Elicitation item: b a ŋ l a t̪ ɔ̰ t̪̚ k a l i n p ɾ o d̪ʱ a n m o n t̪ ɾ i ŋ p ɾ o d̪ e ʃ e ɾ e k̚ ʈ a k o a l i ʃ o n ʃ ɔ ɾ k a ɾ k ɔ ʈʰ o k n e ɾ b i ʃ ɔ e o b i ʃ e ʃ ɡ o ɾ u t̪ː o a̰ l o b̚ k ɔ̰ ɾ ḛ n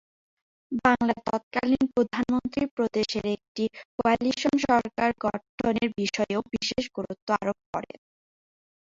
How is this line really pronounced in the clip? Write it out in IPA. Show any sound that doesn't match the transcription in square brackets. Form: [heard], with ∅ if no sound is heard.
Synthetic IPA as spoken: b a ŋ l a t̪ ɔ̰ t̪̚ k a l i n p ɾ o d̪ʱ a n m o n t̪ ɾ i [∅] p ɾ o d̪ e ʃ e ɾ e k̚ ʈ [i] k o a l i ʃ o n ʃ ɔ ɾ k a ɾ [ɡ] ɔ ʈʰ o [∅] n e ɾ b i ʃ ɔ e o b i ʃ e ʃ ɡ o ɾ u t̪ː o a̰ [ɾ] o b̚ k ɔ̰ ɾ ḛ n